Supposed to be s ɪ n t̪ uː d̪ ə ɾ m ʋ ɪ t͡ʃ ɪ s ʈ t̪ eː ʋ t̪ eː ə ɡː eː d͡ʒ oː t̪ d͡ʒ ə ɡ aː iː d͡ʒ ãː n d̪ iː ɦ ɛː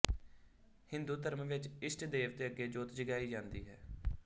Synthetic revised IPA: h ɪ n d̪ uː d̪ ə ɾ m ʋ ɪ t͡ʃ ɪ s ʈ d̪ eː ʋ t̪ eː ə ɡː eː d͡ʒ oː t̪ d͡ʒ ə ɡ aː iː d͡ʒ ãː n d̪ iː ɦ ɛː